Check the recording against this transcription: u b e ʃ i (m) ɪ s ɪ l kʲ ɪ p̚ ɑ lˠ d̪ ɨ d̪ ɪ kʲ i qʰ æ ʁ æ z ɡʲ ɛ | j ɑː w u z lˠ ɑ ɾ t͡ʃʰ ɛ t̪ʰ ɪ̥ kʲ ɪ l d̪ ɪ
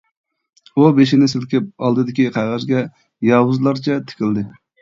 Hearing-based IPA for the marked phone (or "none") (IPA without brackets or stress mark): n